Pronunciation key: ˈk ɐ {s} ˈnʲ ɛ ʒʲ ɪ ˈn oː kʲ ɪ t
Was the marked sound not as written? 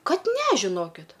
yes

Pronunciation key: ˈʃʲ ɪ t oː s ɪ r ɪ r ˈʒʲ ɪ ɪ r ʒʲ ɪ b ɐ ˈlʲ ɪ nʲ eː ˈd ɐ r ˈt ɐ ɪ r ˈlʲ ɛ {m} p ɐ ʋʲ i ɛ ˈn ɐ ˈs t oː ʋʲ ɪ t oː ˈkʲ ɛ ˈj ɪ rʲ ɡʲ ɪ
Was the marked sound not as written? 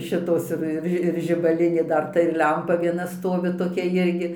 no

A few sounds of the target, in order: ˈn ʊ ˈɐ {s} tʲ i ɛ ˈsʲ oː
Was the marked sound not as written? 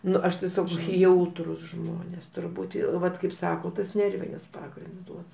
yes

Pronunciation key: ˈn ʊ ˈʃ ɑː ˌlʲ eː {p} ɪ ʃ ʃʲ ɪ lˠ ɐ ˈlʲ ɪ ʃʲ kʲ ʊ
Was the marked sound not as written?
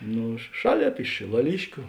no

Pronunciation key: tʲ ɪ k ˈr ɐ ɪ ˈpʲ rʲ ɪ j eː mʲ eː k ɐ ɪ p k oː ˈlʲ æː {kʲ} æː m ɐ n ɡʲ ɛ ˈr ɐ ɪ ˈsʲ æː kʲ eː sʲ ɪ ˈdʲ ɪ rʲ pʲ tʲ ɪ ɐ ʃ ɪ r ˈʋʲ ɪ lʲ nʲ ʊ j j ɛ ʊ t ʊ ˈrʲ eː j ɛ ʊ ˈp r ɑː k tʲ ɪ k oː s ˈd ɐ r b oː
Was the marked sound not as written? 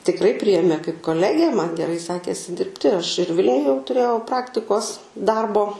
yes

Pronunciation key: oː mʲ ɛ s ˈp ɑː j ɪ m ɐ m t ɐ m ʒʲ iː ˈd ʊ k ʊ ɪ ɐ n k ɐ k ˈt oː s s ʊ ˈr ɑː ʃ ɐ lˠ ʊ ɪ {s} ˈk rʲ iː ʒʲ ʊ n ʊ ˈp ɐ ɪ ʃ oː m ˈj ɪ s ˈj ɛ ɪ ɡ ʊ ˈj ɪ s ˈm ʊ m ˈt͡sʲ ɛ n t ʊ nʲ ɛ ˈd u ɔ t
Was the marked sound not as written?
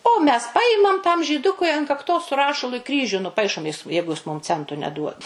yes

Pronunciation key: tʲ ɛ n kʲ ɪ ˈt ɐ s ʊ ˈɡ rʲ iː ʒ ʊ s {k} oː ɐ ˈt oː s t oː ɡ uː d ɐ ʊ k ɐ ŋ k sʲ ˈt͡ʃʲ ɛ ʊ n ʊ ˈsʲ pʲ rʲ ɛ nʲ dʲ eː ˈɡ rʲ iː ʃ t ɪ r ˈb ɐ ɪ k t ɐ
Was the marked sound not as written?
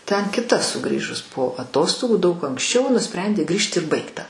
yes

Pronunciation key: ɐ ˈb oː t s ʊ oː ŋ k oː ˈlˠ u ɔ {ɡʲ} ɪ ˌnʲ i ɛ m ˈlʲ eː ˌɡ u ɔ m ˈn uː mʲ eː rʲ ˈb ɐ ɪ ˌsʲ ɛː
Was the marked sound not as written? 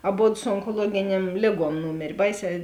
no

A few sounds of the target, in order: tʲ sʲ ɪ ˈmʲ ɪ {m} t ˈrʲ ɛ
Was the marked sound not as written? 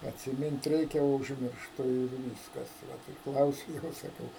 yes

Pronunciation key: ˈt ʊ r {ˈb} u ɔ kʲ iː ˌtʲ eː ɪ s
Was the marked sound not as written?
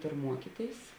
yes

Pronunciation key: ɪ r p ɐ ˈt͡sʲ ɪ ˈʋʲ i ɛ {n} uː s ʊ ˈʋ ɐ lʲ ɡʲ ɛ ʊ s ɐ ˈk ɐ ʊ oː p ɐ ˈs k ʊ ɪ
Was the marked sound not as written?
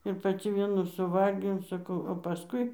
no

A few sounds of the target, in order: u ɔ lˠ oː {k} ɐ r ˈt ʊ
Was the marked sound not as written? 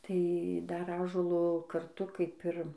no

